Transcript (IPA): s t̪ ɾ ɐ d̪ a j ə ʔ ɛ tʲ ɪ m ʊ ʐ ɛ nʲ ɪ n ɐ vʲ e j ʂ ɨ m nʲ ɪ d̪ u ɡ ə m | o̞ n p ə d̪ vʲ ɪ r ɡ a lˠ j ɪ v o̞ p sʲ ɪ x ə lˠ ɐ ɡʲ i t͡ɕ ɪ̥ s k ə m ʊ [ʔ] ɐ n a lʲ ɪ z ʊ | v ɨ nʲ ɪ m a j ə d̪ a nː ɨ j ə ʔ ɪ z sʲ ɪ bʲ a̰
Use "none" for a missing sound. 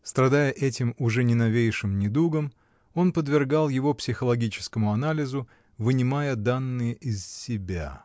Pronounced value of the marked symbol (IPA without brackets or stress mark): none